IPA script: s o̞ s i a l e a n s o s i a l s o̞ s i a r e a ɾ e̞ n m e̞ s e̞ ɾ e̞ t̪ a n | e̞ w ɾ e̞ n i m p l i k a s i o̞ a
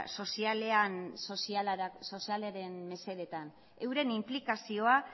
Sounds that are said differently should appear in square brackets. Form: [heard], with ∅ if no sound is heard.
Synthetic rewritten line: s o̞ s i a l e a n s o s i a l s o̞ s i a [l] e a ɾ e̞ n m e̞ s e̞ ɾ e̞ t̪ a n | e̞ w ɾ e̞ n i m p l i k a s i o̞ a